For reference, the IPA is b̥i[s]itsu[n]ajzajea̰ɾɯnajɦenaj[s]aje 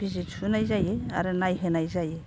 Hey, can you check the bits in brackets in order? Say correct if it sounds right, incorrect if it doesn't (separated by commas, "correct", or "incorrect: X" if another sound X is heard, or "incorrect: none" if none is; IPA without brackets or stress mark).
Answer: incorrect: z, correct, incorrect: z